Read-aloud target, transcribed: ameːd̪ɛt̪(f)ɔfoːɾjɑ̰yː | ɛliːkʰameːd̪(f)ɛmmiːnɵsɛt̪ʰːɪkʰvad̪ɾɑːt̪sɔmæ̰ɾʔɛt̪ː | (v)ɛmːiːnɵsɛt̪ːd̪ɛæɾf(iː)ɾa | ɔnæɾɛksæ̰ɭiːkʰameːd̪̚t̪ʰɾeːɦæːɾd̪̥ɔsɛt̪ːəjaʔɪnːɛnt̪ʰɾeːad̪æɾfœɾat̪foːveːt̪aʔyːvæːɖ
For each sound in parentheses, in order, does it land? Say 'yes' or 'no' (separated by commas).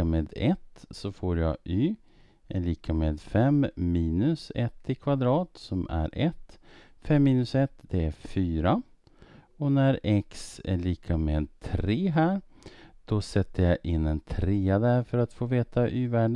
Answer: no, yes, no, no